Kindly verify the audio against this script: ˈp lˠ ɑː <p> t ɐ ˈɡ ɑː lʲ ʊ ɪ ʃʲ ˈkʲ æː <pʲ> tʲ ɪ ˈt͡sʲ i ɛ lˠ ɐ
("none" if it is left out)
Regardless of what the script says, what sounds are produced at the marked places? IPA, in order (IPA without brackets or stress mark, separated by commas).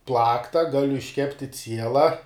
k, pʲ